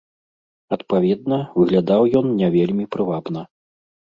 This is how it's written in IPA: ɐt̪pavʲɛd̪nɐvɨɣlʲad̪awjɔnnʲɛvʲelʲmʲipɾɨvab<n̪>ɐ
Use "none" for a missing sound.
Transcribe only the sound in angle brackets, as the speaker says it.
n̪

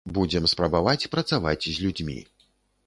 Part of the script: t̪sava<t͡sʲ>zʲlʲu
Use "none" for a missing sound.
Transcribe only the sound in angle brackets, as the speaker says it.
t͡sʲ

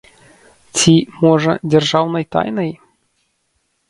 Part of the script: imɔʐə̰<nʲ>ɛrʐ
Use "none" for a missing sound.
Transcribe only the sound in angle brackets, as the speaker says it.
dʲ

